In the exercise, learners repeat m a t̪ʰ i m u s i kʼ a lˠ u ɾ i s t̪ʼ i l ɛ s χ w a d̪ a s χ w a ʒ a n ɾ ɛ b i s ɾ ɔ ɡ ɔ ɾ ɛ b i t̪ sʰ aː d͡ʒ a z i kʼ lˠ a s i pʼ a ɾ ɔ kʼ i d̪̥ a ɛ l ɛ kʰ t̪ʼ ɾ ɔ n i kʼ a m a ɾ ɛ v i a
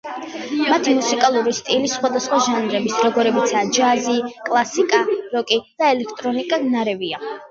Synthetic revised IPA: m a t̪ʰ i m u s i kʼ a lˠ u ɾ i s t̪ʼ i l i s χ w a d̪ a s χ w a ʒ a n ɾ ɛ b i s ɾ ɔ ɡ ɔ ɾ ɛ b i t̪ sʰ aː d͡ʒ a z i kʼ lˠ a s i kʼ a ɾ ɔ kʼ i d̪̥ a ɛ l ɛ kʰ t̪ʼ ɾ ɔ n i kʼ a n a ɾ ɛ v i a